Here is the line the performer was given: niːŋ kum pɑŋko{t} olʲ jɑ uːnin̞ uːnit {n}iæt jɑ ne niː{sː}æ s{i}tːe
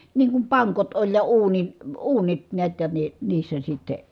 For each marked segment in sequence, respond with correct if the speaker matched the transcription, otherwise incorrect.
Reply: correct, correct, correct, correct

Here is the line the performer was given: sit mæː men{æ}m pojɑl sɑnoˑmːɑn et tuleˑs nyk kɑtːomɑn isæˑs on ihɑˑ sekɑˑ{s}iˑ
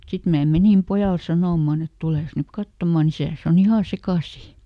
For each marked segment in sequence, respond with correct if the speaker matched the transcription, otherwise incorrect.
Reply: incorrect, correct

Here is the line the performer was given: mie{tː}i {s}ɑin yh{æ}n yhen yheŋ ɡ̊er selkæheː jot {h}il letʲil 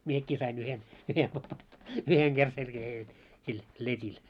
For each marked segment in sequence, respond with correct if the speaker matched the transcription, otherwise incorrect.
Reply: incorrect, correct, incorrect, incorrect

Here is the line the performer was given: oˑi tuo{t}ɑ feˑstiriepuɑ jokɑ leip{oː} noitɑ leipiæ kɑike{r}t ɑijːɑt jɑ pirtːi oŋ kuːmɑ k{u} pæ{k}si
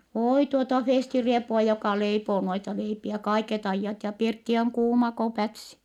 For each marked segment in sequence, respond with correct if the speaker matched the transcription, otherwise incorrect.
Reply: correct, correct, incorrect, incorrect, incorrect

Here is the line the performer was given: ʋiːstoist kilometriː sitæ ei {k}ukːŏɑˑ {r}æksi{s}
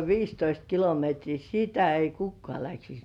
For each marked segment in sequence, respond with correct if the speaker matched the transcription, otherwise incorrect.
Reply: correct, incorrect, correct

